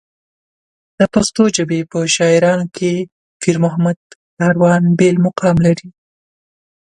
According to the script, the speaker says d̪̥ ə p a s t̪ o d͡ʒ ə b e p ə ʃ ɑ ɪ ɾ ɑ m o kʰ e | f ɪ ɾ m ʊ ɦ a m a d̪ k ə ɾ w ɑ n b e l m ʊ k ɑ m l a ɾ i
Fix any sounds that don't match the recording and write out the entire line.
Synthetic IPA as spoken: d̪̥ ə p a s t̪ o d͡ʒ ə b e p ə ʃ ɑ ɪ ɾ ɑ n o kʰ e | f i ɾ m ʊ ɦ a m a d̪ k ɑ ɾ w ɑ n b e l m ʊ q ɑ m l a ɾ i